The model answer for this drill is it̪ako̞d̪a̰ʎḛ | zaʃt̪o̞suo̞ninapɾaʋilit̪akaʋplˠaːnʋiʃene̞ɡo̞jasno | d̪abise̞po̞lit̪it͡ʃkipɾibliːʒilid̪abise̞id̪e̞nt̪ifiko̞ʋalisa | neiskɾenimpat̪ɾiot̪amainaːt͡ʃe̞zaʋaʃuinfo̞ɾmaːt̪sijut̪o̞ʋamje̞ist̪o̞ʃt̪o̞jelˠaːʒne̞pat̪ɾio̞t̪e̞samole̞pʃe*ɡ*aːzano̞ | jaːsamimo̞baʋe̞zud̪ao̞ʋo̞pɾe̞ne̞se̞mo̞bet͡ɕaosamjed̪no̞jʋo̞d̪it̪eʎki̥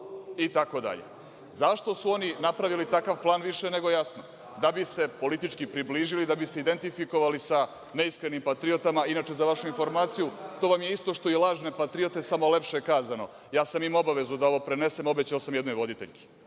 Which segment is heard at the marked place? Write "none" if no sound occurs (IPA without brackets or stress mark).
k